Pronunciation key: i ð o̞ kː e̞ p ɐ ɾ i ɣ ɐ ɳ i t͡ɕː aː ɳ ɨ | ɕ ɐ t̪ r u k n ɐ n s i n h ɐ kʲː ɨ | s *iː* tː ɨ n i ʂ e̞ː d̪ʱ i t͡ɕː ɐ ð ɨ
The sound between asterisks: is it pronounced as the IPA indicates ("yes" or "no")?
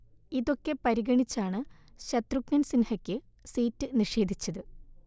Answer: yes